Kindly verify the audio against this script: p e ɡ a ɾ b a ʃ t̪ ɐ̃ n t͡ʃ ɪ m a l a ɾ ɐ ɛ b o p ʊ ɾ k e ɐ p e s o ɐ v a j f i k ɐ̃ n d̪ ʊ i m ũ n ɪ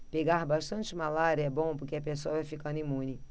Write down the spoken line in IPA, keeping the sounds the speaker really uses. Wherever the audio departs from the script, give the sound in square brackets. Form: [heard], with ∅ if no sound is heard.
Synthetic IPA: p e ɡ a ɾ b a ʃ t̪ ɐ̃ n t͡ʃ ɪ m a l a ɾ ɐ ɛ b [õ] p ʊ ɾ k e ɐ p e s o ɐ v a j f i k ɐ̃ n d̪ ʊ i m ũ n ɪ